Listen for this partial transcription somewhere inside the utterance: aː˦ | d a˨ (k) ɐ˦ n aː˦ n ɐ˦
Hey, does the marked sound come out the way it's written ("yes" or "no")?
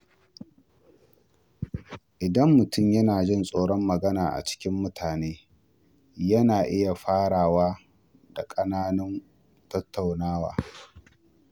no